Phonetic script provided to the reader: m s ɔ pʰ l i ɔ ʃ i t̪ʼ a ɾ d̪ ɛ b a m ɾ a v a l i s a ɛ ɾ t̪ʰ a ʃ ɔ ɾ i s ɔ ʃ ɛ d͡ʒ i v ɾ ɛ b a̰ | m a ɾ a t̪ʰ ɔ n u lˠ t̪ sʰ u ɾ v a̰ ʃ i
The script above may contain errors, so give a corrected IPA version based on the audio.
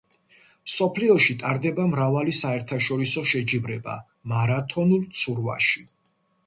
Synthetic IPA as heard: m s ɔ pʰ l i ɔ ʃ i t̪ʼ a ɾ d̪ ɛ b a m ɾ a v a l i s a ɛ ɾ t̪ʰ a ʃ ɔ ɾ i s ɔ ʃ ɛ d͡ʒ i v ɾ ɛ b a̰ | m a ɾ a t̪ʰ ɔ n u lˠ t̪ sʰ u ɾ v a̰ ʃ i